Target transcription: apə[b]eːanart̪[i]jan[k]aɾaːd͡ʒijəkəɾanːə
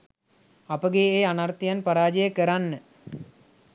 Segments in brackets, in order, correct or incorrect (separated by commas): incorrect, correct, incorrect